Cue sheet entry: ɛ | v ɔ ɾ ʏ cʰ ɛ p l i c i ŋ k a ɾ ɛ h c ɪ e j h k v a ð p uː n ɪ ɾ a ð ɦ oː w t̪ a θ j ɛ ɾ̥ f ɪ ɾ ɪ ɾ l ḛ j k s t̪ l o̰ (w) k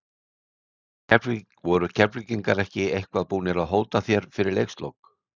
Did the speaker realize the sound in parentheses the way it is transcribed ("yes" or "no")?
yes